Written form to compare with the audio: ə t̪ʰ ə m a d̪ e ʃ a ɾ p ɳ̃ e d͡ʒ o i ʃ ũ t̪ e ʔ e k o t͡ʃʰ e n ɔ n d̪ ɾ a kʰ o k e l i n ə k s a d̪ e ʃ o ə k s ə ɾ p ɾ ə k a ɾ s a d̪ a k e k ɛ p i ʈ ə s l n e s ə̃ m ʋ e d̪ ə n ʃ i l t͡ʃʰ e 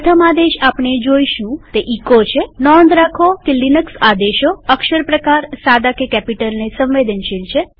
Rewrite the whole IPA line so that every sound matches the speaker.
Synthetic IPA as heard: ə t̪ʰ ə m a d̪ e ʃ a p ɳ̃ e d͡ʒ o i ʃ ũ t̪ e ʔ i k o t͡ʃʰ e n ɔ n d̪ ɾ a kʰ o k e l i n ə k s a d̪ e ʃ o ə k ʃ ə ɾ p ɾ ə k a ɾ s a d̪ a k e k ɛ p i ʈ ə l n e s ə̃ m ʋ e d̪ ə n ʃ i l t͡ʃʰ e